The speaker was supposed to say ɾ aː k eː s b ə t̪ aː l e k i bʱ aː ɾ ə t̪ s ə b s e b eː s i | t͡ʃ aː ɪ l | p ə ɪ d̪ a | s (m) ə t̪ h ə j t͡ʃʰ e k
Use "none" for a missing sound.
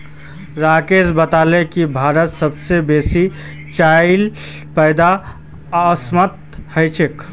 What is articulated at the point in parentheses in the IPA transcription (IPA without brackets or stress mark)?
m